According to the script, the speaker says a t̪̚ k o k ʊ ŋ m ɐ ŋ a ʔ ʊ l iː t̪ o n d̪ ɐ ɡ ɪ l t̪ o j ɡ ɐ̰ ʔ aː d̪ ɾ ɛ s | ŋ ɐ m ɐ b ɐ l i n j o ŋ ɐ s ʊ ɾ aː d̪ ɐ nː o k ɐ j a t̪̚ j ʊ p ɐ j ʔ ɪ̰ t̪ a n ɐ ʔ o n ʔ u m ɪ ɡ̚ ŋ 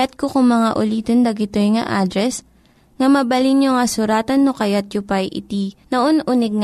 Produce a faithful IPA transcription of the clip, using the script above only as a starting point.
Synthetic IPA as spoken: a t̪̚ k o k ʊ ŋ m ɐ ŋ a ʔ ʊ l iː t̪ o n d̪ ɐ ɡ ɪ t̪ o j ŋ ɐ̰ ʔ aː d̪ ɾ ɛ s | ŋ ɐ m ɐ b ɐ l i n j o ŋ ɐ s ʊ ɾ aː t̪ ɐ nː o k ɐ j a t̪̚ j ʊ p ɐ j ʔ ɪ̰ t̪ i n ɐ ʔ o n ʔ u n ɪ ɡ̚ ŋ